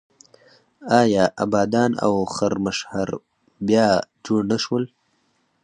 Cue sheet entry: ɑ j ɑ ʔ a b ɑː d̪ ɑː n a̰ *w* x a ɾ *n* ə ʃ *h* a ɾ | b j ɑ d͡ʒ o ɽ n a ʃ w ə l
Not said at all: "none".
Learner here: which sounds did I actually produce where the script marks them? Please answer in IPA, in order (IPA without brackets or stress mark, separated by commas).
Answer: w, m, h